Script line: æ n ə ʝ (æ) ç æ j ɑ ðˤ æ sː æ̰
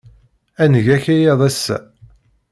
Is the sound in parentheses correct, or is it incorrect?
correct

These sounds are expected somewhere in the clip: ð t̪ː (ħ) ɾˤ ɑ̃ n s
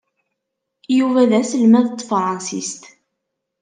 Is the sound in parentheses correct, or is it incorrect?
incorrect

